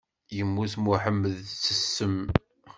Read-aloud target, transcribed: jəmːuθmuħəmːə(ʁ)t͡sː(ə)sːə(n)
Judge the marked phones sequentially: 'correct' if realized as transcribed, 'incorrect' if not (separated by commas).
incorrect, correct, incorrect